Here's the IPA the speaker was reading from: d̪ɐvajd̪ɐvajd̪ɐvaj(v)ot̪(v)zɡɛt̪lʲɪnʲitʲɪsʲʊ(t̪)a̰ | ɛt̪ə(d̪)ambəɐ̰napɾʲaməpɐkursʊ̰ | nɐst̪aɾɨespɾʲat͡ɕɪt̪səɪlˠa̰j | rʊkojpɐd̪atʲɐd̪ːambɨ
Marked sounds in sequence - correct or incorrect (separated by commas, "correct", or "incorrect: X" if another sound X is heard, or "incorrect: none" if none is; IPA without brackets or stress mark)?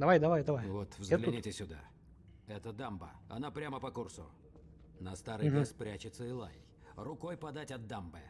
correct, correct, incorrect: d̪, correct